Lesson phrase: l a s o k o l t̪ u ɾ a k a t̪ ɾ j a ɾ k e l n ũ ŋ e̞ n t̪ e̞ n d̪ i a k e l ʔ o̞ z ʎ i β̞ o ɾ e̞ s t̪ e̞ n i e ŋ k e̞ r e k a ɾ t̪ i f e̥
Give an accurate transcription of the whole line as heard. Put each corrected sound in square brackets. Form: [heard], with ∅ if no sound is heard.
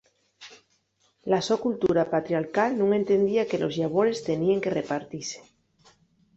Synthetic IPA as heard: l a s o k [u] l t̪ u ɾ a [p] a t̪ ɾ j a ɾ k [a] l n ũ ŋ e̞ n t̪ e̞ n d̪ i a k e l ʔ o̞ z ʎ [a] β̞ o ɾ e̞ s t̪ e̞ n i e ŋ k e̞ r e [p] a ɾ t̪ i [s] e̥

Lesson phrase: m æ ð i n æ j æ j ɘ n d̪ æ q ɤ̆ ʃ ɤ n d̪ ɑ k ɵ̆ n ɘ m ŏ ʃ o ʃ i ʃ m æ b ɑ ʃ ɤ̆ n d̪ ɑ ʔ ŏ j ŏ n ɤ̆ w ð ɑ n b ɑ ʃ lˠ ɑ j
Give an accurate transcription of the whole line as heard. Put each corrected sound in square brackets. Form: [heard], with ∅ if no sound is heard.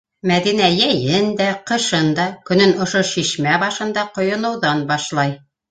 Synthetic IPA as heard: m æ ð i n æ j æ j ɘ n d̪ æ q ɤ̆ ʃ ɤ n d̪ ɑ k ɵ̆ n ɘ [n] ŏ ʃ o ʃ i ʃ m æ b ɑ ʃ ɤ̆ n d̪ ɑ [q] ŏ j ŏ n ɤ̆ w ð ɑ n b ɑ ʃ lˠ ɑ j

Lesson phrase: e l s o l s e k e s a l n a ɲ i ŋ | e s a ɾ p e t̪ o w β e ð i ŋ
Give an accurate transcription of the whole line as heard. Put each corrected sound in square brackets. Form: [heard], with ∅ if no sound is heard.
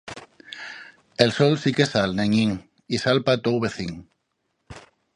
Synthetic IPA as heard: e l s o l s [i] k e s a l n [e] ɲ i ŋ | [i] s a [l] p [a] t̪ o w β e [θ] i ŋ

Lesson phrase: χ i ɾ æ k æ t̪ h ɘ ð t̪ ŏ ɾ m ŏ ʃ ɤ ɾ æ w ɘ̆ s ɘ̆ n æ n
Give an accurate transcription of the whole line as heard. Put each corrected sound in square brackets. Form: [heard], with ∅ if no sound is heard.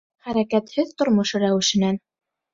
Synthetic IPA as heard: χ [æ] ɾ æ k æ t̪ h ɘ ð t̪ ŏ ɾ m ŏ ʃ ɤ ɾ æ w ɘ̆ [ʃ] ɘ̆ n æ n

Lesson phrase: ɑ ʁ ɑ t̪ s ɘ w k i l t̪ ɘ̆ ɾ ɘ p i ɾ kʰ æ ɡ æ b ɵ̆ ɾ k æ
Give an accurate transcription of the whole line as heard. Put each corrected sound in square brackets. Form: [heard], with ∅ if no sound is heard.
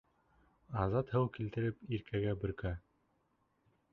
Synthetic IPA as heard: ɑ [z] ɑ t̪ [h] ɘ w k i l t̪ ɘ̆ ɾ ɘ p i ɾ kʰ æ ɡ æ b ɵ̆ ɾ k æ

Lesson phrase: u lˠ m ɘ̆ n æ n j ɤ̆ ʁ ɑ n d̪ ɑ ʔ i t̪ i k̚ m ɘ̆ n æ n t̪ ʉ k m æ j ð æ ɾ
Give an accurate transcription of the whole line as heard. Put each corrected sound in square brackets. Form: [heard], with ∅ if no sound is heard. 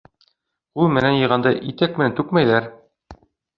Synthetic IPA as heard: u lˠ m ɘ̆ n æ n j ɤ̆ ʁ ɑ n d̪ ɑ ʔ i t̪ [æ] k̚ m ɘ̆ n æ n t̪ ʉ k m æ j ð æ ɾ

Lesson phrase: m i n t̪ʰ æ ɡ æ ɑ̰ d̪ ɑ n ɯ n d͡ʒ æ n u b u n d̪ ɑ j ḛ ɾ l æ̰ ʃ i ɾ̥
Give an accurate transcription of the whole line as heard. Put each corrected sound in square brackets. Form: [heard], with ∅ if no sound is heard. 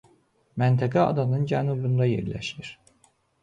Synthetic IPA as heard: m [æ] n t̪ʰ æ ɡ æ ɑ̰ d̪ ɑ n ɯ n d͡ʒ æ n u b u n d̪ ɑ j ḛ ɾ l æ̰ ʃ i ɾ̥

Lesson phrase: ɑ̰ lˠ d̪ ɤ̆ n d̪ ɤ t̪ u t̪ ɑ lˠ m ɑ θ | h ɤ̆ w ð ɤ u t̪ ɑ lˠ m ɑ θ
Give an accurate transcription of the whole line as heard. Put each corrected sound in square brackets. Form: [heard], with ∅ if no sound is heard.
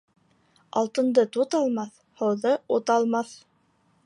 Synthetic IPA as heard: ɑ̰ lˠ [t̪] ɤ̆ n d̪ ɤ t̪ u t̪ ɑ lˠ m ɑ θ | h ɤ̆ w ð ɤ u t̪ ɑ lˠ m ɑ θ

